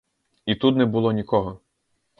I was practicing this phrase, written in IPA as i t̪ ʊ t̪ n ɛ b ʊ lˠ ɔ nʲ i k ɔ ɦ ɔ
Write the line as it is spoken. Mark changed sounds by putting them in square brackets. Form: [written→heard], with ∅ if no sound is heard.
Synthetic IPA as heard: i t̪ [ʊ→u] t̪ n ɛ b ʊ lˠ ɔ nʲ i k ɔ ɦ ɔ